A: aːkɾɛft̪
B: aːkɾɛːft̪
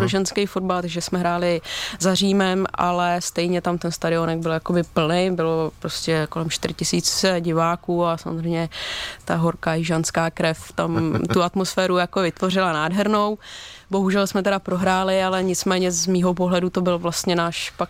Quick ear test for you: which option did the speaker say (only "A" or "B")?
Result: A